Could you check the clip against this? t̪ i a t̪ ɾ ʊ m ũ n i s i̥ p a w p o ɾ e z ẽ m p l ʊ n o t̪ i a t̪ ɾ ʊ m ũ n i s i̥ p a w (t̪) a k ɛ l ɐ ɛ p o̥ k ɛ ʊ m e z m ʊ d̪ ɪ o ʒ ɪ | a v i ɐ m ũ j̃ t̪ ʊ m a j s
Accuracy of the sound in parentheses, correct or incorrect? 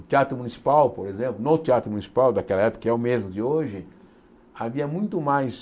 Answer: incorrect